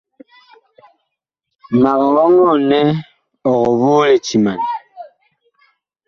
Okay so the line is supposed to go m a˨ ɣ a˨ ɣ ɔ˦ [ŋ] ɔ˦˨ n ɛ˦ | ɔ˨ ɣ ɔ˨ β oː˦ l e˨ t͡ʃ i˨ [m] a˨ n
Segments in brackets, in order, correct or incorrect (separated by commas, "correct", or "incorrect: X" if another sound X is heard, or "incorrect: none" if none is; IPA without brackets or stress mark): correct, correct